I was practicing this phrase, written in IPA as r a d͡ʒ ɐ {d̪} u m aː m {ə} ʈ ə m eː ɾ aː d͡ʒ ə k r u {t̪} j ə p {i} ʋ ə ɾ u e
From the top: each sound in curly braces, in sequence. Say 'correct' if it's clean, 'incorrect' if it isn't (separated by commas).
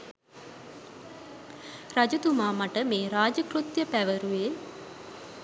incorrect, incorrect, correct, incorrect